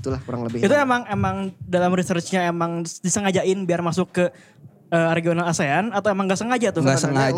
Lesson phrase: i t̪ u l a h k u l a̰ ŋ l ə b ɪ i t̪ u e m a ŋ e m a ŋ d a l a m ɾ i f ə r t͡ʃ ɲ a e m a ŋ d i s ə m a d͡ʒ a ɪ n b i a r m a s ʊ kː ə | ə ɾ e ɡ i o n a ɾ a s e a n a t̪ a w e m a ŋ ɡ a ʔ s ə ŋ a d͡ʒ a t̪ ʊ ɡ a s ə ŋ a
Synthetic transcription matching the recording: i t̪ u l a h k u ɾ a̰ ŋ l ə b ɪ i t̪ u e m a ŋ e m a ŋ d a l a m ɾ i s ə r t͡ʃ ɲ a e m a ŋ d i s ə ŋ a d͡ʒ a ɪ n b i a r m a s ʊ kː ə | ə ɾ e ɡ i o n a l a s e a n a t̪ a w e m a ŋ ɡ a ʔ s ə ŋ a d͡ʒ a t̪ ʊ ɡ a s ə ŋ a